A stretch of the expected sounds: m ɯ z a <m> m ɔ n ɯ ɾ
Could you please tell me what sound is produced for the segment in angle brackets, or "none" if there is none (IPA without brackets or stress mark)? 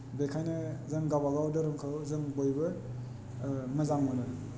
ŋ